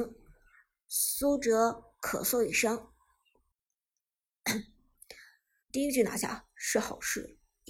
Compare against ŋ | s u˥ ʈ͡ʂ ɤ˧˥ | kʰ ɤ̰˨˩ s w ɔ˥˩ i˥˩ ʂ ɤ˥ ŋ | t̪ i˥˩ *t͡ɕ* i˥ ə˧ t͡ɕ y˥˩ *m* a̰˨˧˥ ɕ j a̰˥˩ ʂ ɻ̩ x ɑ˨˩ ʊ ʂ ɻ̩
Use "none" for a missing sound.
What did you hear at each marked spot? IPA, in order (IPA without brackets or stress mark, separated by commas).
none, n